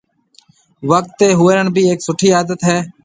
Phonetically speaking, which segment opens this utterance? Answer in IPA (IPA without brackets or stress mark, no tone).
ʋ